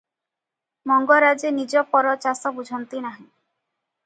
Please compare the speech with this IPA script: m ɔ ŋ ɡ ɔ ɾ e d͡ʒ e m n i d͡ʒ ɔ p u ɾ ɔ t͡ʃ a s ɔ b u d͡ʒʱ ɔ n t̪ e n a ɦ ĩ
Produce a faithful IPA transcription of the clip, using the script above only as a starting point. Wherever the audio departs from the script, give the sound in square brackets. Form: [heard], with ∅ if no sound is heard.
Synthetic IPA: m ɔ ŋ ɡ ɔ ɾ [a] d͡ʒ e [∅] n i d͡ʒ ɔ p [ɔ] ɾ ɔ t͡ʃ a s ɔ b u d͡ʒʱ ɔ n t̪ [i] n a ɦ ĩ